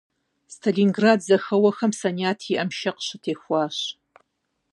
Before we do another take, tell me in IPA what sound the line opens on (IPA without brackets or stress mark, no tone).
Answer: s